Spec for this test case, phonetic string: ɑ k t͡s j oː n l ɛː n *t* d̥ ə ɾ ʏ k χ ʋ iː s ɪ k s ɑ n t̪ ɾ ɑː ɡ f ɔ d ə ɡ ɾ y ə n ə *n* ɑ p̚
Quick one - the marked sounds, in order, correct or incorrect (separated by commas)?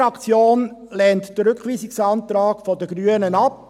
correct, correct